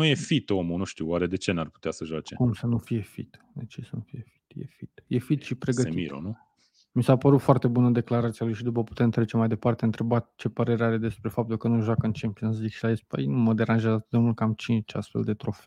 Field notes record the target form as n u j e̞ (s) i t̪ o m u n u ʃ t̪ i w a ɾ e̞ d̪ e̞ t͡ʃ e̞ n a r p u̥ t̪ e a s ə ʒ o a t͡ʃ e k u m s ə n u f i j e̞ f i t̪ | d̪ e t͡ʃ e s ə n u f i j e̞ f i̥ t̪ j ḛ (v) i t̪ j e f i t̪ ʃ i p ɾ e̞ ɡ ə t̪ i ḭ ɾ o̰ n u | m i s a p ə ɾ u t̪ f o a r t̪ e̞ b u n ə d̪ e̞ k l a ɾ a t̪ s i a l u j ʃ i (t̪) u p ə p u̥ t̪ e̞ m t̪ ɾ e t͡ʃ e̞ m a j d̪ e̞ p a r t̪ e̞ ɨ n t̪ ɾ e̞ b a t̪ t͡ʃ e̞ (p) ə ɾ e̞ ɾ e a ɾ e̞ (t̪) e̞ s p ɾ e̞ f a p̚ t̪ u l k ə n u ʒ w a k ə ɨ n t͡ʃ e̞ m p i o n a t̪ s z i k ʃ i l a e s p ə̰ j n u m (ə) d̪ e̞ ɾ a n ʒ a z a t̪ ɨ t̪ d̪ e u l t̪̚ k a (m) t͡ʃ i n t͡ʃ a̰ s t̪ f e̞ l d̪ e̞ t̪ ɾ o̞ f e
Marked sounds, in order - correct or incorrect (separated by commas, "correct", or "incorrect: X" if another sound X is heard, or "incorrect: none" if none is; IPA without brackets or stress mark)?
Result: incorrect: f, incorrect: f, incorrect: d̪, correct, incorrect: d̪, correct, correct